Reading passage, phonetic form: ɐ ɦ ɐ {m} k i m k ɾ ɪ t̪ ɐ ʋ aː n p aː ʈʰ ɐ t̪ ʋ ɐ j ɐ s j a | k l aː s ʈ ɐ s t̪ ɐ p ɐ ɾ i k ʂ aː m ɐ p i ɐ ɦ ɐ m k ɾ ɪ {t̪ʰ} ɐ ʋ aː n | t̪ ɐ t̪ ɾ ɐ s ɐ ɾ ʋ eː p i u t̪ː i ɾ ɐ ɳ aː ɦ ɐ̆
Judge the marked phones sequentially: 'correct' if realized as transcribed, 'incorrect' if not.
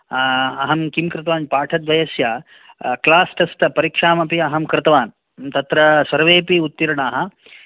correct, incorrect

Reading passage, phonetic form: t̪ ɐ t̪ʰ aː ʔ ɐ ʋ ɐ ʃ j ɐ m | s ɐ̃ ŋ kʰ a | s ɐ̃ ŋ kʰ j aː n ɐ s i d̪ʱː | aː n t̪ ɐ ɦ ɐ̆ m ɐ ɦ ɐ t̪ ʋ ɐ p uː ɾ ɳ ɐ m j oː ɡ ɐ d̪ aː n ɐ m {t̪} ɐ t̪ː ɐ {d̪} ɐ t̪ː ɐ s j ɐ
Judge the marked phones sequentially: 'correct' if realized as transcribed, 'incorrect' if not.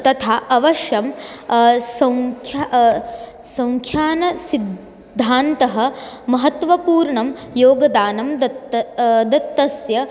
incorrect, correct

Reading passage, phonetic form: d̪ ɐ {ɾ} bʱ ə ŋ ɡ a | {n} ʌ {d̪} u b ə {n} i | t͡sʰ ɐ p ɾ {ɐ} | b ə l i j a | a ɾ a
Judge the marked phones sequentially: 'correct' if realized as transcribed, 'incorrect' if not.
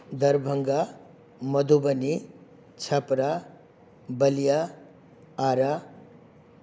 correct, incorrect, correct, correct, incorrect

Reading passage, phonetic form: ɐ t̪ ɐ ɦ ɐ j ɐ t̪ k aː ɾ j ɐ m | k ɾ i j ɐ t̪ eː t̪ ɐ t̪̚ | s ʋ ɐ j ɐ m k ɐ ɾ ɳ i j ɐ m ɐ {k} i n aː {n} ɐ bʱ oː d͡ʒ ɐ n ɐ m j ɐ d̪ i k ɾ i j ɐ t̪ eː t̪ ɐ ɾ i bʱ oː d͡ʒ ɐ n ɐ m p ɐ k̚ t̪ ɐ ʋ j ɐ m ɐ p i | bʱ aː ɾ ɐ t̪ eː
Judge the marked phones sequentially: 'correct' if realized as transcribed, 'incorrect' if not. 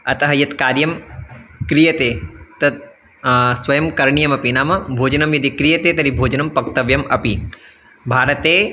incorrect, incorrect

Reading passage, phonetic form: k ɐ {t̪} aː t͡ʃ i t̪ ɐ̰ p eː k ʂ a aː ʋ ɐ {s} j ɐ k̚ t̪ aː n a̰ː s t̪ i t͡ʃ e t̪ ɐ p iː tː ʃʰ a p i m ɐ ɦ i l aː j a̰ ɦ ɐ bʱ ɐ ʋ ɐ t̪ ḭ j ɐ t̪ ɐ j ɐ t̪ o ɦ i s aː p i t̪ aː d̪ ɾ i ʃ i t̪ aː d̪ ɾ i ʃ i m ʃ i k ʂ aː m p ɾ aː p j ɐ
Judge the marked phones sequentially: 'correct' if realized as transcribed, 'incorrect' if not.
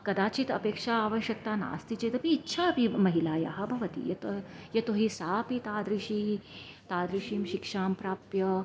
incorrect, incorrect

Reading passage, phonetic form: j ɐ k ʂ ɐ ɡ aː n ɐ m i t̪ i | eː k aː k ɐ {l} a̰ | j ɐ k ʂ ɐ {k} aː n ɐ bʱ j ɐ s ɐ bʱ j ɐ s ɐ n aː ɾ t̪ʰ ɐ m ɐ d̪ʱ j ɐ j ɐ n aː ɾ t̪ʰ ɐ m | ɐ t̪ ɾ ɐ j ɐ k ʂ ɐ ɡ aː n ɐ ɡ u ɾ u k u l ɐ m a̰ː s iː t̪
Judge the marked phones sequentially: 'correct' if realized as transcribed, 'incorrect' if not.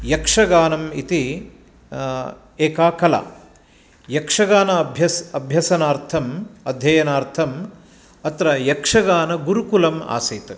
correct, incorrect

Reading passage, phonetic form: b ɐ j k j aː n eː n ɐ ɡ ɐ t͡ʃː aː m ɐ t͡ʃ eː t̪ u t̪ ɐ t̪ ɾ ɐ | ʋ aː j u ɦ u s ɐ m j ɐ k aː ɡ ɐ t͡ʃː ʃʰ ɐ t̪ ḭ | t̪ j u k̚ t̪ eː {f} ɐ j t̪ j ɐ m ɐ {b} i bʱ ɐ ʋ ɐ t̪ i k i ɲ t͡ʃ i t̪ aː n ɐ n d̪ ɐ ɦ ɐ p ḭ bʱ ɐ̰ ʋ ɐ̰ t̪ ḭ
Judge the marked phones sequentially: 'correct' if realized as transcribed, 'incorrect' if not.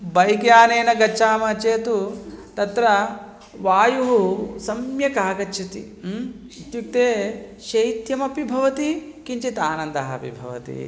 incorrect, incorrect

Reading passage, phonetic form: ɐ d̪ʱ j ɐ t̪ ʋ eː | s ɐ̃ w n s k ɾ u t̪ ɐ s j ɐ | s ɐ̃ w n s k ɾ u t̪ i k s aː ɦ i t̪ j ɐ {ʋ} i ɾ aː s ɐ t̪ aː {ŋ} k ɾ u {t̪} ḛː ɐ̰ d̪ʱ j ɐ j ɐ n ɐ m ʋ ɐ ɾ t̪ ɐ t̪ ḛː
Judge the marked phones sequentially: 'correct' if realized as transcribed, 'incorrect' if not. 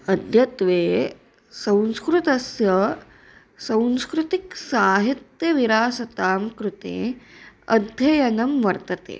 correct, incorrect, correct

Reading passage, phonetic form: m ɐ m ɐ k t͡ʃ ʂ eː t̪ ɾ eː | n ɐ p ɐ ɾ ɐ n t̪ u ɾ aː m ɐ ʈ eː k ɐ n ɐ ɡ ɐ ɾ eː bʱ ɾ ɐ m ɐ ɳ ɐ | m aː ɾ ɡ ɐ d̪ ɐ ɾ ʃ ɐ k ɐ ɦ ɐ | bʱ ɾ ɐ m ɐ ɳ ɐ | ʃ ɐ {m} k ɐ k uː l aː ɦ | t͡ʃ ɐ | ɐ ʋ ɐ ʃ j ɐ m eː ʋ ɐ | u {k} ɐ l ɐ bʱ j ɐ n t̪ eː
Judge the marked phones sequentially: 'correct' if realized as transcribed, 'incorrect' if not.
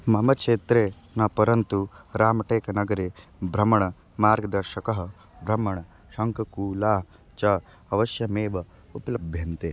incorrect, incorrect

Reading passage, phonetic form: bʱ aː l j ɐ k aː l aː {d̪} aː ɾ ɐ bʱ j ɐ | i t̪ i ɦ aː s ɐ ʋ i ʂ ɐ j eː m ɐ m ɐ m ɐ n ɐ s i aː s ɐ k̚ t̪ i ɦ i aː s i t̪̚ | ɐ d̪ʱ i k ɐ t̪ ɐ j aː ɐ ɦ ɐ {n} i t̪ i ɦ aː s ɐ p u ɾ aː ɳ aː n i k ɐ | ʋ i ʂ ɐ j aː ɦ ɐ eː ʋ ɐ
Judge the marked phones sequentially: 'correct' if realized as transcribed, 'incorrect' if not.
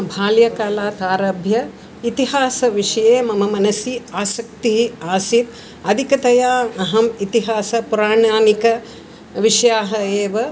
incorrect, incorrect

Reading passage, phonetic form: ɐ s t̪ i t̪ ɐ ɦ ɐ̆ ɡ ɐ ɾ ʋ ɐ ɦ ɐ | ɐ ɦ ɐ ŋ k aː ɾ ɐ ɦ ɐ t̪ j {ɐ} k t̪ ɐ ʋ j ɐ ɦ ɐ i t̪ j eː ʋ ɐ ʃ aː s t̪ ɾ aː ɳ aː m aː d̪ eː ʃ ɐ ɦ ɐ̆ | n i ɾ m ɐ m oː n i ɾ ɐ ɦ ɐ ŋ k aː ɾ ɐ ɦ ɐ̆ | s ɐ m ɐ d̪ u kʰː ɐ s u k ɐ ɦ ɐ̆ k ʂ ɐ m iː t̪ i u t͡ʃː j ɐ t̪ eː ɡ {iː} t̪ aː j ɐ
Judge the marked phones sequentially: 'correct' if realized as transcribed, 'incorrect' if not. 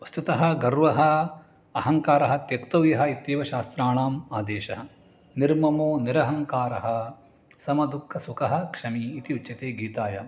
correct, correct

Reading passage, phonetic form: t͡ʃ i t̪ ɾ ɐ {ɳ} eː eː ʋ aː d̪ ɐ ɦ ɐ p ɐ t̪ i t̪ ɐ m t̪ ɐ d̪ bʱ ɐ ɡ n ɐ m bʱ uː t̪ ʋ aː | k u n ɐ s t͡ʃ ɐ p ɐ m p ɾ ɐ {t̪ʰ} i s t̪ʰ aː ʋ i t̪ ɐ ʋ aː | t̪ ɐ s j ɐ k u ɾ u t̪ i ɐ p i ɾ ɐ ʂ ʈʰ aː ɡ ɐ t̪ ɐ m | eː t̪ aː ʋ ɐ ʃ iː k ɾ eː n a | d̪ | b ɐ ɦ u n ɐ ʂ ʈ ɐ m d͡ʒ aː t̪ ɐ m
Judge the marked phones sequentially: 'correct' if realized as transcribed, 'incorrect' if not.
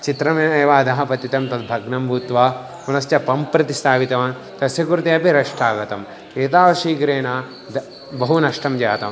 incorrect, incorrect

